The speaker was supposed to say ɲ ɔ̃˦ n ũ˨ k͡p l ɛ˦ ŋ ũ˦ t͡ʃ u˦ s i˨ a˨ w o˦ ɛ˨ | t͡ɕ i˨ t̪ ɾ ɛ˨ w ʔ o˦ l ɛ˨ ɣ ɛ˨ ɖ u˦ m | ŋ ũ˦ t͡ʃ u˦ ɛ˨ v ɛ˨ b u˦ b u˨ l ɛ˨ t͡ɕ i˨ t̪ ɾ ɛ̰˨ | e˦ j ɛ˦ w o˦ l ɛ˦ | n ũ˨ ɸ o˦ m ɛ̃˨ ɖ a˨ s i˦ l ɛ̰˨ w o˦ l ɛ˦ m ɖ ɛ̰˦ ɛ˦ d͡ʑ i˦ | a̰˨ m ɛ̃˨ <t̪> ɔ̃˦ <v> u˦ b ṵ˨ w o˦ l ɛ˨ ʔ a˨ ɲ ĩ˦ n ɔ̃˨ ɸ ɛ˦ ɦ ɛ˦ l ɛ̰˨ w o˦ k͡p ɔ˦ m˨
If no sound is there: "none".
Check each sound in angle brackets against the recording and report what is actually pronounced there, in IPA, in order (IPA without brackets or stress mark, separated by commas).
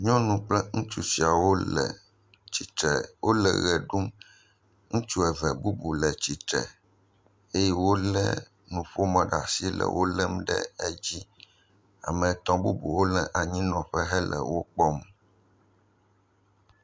t̪, b